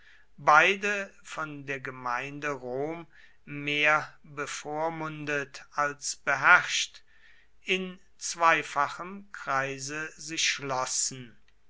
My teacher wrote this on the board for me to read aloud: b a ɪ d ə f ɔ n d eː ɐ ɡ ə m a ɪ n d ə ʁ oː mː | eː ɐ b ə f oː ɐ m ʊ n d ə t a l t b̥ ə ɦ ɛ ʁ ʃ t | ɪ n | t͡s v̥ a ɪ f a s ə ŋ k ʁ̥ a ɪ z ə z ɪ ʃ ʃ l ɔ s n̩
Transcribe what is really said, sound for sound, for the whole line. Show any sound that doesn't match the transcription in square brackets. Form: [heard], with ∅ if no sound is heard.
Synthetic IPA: b a ɪ d ə f ɔ n d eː ɐ ɡ ə m a ɪ n d ə ʁ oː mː | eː ɐ b ə f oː ɐ m ʊ n d ə t a l [s] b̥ ə ɦ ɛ ʁ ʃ t | ɪ n | t͡s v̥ a ɪ f a [χ] ə [m] k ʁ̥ a ɪ z ə z ɪ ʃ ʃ l ɔ s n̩

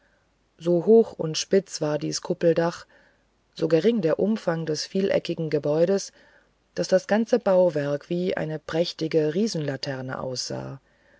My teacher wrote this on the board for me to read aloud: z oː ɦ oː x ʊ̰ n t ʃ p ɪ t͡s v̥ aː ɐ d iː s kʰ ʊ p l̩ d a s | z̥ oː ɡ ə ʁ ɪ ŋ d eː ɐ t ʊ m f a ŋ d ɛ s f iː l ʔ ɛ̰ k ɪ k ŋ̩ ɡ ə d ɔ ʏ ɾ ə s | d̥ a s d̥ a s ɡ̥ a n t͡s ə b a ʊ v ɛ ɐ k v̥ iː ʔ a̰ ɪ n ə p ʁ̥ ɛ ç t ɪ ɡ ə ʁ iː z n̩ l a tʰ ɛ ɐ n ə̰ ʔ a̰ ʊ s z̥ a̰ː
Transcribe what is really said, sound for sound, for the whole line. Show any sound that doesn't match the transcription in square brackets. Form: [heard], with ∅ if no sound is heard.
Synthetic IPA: z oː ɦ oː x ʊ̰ n t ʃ p ɪ t͡s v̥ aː ɐ d iː s kʰ ʊ p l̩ d a [χ] | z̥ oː ɡ ə ʁ ɪ ŋ d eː ɐ [ʔ] ʊ m f a ŋ d ɛ s f iː l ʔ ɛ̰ k ɪ [ɡ] ŋ̩ ɡ ə [b] ɔ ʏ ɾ ə s | d̥ a s d̥ a s ɡ̥ a n t͡s ə b a ʊ v ɛ ɐ k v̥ iː ʔ a̰ ɪ n ə p ʁ̥ ɛ ç t ɪ ɡ ə ʁ iː z n̩ l a tʰ ɛ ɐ n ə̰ ʔ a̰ ʊ s z̥ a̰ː

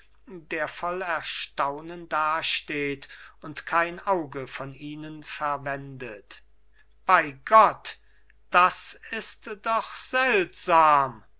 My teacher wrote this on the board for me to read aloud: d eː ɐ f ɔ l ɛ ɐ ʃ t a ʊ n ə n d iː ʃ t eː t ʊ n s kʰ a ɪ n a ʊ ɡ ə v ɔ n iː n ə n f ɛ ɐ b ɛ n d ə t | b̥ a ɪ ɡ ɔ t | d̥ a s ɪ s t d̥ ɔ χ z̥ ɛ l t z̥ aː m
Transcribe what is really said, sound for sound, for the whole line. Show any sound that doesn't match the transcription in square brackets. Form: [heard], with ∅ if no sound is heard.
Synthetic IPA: d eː ɐ f ɔ l ɛ ɐ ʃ t a ʊ n ə n d [aː] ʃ t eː t ʊ n [t] kʰ a ɪ n a ʊ ɡ ə [f] ɔ n iː n ə n f ɛ ɐ [v] ɛ n d ə t | b̥ a ɪ ɡ ɔ t | d̥ a s ɪ s t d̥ ɔ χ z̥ ɛ l t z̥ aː m

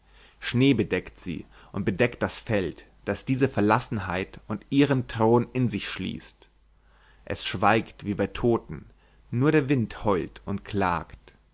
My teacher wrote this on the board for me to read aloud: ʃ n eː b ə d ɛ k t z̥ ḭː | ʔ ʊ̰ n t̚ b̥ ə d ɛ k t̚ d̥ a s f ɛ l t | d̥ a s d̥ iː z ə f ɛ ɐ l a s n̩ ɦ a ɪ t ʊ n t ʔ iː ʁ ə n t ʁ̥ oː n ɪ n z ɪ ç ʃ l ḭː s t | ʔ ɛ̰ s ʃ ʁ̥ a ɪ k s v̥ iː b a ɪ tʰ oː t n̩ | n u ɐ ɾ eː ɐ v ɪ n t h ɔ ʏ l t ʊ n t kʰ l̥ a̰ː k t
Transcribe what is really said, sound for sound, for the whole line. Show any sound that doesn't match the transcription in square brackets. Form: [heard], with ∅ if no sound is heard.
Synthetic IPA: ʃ n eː b ə d ɛ k t z̥ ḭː | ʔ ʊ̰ n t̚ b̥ ə d ɛ k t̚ d̥ a s f ɛ l t | d̥ a s d̥ iː z ə f ɛ ɐ l a s n̩ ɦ a ɪ t ʊ n t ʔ iː ʁ ə n t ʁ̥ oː n ɪ n z ɪ ç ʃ l ḭː s t | ʔ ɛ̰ s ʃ [v̥] a ɪ k [t] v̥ iː b a ɪ tʰ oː t n̩ | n [uː] ɐ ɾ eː ɐ v ɪ n t h ɔ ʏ l t ʊ n t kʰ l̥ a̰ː k t

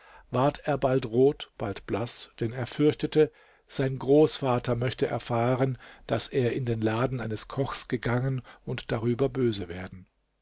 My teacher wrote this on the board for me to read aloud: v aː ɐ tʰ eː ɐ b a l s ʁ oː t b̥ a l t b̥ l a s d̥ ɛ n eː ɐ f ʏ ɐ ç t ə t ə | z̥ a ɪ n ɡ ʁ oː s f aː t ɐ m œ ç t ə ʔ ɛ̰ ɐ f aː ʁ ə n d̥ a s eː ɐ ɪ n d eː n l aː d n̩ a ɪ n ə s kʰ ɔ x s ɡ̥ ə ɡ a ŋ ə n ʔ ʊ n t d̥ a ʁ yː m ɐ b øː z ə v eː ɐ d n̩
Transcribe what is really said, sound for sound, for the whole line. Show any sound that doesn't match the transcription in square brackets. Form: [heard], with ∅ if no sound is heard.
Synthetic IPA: v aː ɐ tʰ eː ɐ b a l [t] ʁ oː t b̥ a l t b̥ l a s d̥ ɛ n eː ɐ f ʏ ɐ ç t ə t ə | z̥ a ɪ n ɡ ʁ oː s f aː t ɐ m œ ç t ə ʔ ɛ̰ ɐ f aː ʁ ə n d̥ a s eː ɐ ɪ n d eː n l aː d n̩ a ɪ n ə s kʰ ɔ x s ɡ̥ ə ɡ a ŋ ə n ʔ ʊ n t d̥ a ʁ yː [b] ɐ b øː z ə v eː ɐ d n̩

